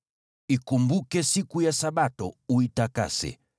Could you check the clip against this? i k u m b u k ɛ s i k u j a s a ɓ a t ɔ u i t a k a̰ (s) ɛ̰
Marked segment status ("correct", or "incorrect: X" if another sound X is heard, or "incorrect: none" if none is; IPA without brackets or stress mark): correct